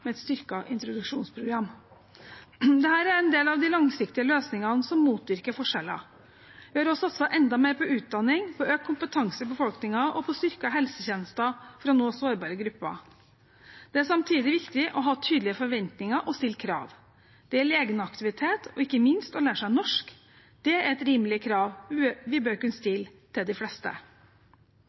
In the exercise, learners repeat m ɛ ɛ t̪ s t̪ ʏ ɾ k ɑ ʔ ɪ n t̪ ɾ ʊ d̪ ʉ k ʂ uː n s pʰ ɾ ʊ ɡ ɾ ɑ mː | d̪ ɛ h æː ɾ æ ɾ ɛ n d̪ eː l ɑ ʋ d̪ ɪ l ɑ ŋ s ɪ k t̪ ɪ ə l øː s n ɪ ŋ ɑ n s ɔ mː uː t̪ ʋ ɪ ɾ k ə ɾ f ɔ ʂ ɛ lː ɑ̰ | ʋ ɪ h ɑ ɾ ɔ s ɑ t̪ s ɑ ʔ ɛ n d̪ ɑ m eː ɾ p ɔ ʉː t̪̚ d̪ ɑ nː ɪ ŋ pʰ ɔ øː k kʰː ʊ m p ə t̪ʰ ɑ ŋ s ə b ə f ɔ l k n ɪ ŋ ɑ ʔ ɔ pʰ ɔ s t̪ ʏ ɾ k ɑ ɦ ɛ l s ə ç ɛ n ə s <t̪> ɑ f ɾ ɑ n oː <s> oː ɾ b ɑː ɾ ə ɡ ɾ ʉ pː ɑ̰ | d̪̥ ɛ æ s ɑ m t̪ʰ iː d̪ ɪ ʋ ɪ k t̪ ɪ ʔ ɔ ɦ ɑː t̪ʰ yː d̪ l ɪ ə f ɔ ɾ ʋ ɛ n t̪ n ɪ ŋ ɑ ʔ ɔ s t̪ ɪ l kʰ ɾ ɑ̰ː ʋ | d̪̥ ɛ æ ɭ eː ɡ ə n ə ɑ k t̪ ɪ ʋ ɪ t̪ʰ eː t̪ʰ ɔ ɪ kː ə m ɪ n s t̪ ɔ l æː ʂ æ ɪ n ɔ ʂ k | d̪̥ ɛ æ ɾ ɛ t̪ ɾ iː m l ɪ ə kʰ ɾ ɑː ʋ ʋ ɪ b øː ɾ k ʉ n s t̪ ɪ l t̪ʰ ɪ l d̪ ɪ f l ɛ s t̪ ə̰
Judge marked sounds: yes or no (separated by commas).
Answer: yes, yes